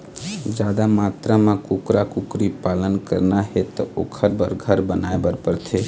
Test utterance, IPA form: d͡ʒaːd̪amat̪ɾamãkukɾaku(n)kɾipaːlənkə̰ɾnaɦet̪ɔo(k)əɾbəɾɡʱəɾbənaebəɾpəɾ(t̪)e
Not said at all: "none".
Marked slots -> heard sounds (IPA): none, kʰ, t̪ʰ

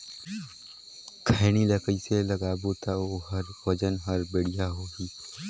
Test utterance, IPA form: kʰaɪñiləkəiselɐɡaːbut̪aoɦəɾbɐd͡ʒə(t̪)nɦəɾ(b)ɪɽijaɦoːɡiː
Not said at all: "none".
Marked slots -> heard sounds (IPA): none, b

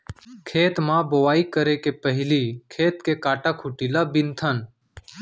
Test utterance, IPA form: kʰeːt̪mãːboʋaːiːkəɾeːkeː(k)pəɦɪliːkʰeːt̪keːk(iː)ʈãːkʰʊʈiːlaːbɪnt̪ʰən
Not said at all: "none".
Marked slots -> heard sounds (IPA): none, aː

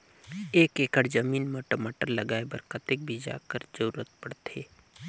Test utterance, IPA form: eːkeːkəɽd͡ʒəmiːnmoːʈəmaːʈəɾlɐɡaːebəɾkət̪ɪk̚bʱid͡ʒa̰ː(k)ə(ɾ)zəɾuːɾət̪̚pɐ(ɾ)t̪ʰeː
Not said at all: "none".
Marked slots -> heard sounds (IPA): k, ɾ, ɽ

